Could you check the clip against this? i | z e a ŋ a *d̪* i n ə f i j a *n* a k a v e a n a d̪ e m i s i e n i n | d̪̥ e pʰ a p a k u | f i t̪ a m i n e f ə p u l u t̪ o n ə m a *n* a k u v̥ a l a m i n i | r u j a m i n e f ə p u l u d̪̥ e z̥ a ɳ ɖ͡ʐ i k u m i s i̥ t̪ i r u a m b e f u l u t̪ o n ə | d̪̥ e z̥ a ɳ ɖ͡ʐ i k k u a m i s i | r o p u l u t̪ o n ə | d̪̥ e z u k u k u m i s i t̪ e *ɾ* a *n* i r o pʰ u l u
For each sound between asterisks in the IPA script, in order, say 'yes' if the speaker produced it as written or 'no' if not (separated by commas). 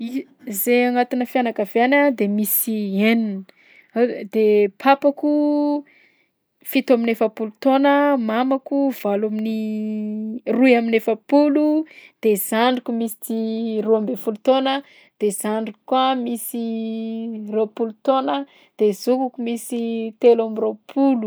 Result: no, yes, no, no, no